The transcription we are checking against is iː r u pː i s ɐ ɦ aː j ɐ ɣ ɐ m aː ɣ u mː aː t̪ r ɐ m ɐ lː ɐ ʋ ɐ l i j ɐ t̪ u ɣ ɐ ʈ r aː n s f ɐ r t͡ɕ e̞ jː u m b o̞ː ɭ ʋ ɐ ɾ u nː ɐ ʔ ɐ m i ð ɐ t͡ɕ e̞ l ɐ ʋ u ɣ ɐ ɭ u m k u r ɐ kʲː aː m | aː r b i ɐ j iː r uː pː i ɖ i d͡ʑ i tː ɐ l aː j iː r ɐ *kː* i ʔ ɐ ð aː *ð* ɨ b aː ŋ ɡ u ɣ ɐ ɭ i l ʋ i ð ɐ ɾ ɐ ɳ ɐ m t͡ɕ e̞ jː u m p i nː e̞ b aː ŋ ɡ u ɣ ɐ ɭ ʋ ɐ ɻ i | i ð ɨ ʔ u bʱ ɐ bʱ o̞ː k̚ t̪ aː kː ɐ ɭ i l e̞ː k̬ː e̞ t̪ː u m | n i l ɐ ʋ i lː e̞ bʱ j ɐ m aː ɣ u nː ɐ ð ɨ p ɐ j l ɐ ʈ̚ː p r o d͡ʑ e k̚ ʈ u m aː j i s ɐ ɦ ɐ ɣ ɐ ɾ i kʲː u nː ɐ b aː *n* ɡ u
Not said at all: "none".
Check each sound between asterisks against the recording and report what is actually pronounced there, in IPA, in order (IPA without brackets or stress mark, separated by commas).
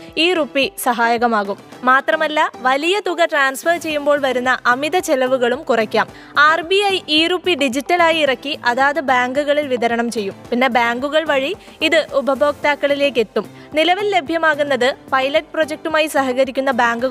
kː, ð, ŋ